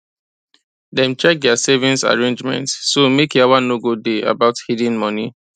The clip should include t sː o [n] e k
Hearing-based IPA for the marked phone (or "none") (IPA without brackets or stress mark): m